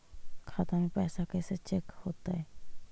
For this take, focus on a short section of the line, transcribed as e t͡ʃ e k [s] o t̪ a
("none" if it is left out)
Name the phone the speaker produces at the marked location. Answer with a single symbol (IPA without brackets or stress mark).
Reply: h